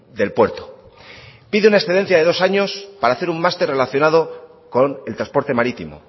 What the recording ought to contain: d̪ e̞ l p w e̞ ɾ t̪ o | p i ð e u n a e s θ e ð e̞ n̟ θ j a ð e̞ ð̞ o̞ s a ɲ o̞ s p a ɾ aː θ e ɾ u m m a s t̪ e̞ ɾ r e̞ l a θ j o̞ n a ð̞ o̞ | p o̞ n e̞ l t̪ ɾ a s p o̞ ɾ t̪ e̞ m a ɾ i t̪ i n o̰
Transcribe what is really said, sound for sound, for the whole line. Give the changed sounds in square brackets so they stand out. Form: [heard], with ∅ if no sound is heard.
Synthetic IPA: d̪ e̞ l p w e̞ ɾ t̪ o | p i ð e u n a e s θ e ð e̞ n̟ θ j a ð e̞ ð̞ o̞ s a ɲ o̞ s p a ɾ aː θ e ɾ u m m a s t̪ e̞ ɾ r e̞ l a θ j o̞ n a ð̞ o̞ | [k] o̞ n e̞ l t̪ ɾ a s p o̞ ɾ t̪ e̞ m a ɾ i t̪ i [m] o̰